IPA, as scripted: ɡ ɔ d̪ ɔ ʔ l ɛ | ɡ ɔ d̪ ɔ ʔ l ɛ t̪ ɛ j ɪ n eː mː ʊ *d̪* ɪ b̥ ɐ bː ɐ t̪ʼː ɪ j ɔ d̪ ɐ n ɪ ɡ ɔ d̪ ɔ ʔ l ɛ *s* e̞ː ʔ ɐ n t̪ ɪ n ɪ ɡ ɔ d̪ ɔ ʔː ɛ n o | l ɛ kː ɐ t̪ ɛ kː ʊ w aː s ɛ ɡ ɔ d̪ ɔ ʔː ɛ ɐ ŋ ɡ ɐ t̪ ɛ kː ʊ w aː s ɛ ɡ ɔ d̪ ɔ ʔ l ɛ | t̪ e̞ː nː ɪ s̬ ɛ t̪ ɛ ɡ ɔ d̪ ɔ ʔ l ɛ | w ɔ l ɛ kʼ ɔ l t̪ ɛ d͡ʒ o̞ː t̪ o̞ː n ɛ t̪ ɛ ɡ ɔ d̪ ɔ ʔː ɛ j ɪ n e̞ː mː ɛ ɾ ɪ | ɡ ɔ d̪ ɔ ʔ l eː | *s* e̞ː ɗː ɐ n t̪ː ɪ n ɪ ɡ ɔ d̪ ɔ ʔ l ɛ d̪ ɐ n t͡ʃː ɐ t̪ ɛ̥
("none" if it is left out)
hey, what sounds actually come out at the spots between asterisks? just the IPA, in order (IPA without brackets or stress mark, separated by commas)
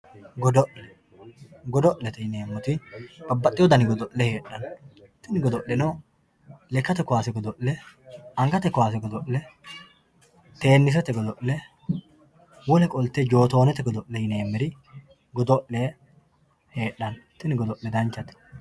t̪, h, h